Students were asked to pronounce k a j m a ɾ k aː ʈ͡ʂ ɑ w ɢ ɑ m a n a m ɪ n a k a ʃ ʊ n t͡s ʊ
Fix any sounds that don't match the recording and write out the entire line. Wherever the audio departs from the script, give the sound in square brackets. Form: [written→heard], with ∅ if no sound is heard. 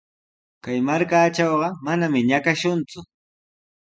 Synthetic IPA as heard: k a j m a ɾ k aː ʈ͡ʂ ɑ w ɢ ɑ m a n a m ɪ [n→ɲ] a k a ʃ ʊ n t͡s ʊ